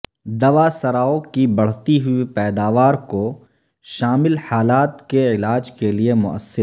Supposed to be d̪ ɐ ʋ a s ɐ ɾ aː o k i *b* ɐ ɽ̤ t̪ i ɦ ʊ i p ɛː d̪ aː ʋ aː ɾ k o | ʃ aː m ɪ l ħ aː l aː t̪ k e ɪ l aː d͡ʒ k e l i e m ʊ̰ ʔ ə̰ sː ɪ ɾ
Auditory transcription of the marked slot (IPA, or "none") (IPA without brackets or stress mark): b